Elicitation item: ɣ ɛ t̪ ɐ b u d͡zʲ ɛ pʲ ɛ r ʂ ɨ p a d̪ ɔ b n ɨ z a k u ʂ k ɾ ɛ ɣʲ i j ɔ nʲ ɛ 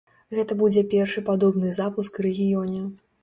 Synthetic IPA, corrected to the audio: ɣ ɛ t̪ ɐ b u d͡zʲ ɛ pʲ ɛ r ʂ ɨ p a d̪ ɔ b n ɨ z a p u s k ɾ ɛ ɣʲ i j ɔ nʲ ɛ